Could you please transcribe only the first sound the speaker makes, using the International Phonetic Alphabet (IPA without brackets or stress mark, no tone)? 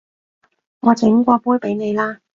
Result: ŋ